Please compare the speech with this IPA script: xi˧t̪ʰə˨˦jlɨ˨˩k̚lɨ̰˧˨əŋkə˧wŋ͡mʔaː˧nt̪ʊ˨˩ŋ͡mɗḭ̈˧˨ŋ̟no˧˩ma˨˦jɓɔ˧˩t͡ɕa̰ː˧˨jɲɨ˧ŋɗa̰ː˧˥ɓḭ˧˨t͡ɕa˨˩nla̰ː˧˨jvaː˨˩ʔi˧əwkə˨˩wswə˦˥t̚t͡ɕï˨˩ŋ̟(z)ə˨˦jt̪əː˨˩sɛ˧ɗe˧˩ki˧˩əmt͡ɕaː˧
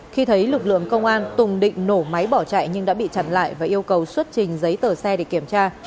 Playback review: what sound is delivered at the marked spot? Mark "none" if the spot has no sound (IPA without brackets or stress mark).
z